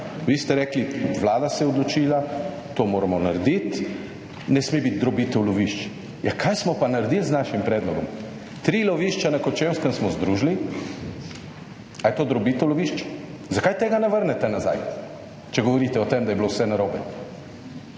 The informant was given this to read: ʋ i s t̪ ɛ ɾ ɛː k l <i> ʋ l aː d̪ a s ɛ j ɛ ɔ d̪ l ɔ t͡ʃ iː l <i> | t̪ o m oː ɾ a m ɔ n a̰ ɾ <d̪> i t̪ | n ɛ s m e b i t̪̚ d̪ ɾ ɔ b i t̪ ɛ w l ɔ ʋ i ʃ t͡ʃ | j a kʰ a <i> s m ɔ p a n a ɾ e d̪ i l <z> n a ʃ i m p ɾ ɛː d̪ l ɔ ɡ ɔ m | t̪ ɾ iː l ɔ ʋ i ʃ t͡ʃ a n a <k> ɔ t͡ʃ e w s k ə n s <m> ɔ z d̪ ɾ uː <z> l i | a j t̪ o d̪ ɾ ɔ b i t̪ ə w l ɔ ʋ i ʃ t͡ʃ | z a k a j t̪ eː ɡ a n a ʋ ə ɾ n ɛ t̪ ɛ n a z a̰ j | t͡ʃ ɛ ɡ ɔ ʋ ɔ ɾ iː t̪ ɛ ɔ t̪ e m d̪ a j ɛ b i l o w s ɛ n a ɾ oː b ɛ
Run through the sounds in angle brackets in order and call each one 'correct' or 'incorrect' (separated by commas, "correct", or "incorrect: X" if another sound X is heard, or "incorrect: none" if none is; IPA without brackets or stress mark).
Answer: correct, incorrect: a, correct, incorrect: j, correct, correct, correct, incorrect: ʒ